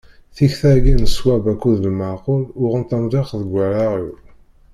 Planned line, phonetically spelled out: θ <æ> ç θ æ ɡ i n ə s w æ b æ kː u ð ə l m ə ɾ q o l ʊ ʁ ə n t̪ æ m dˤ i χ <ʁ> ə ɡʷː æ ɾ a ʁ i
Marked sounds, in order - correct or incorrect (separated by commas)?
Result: incorrect, incorrect